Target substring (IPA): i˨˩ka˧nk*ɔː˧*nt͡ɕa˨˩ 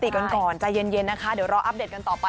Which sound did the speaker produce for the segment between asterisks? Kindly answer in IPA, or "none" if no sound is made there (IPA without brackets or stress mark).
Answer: ɔː˨˩